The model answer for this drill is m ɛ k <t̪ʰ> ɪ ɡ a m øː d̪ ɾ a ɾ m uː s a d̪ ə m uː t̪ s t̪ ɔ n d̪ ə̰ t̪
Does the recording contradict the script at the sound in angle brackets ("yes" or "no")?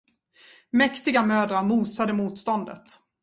yes